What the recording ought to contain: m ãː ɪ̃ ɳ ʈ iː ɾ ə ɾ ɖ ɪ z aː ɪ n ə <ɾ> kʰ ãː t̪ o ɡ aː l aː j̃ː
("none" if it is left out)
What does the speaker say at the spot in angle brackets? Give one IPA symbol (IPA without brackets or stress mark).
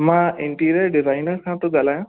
ɾ